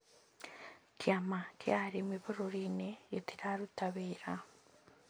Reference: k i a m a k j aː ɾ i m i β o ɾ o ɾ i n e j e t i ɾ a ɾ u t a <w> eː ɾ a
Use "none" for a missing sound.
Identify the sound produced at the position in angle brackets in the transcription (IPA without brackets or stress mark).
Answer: β